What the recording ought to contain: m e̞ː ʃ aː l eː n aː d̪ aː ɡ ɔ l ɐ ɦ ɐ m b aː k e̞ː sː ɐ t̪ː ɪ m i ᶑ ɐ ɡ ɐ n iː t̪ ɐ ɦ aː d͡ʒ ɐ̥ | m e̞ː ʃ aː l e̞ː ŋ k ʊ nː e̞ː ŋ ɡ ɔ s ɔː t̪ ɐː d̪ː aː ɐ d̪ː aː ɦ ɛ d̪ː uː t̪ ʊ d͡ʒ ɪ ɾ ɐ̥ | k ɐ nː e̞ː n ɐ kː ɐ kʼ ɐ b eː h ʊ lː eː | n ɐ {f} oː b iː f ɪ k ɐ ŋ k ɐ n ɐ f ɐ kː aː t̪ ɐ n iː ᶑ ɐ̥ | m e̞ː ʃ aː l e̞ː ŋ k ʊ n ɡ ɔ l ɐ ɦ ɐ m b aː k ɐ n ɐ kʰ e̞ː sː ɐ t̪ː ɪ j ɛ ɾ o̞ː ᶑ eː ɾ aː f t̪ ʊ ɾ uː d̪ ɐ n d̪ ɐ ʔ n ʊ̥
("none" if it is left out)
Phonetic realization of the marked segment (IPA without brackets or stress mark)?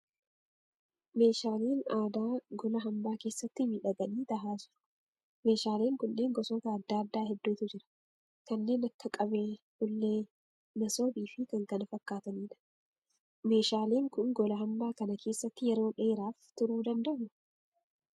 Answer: s